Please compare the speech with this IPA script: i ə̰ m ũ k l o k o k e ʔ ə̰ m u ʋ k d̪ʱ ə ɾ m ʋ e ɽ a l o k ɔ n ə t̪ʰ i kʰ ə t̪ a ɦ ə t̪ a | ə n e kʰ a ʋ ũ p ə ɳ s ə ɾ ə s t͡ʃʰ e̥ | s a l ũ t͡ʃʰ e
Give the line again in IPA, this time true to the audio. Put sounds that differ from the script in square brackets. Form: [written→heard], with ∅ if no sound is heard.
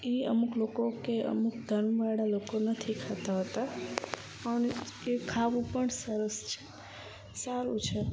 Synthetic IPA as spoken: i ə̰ m [ũ→u] k l o k o k e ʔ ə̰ m u [ʋ→∅] k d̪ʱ ə ɾ m ʋ [e→a] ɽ a l o k [ɔ→o] n ə t̪ʰ i kʰ [ə→a] t̪ a ɦ ə t̪ a | ə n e kʰ a ʋ ũ p ə ɳ s ə ɾ ə s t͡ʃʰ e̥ | s a [l→ɾ] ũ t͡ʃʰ e